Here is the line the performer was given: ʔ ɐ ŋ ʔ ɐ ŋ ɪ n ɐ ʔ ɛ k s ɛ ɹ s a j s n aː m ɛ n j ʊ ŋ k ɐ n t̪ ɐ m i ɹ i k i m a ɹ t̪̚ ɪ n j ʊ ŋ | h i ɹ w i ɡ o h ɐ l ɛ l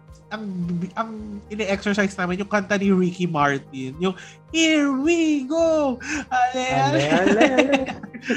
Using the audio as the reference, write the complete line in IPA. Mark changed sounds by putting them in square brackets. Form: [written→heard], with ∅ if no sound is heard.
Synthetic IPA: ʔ ɐ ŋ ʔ ɐ ŋ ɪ n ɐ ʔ ɛ k s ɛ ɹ s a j s n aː m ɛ n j ʊ ŋ k ɐ n t̪ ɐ [m→n] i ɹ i k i m a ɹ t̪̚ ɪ n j ʊ ŋ | h i ɹ w i ɡ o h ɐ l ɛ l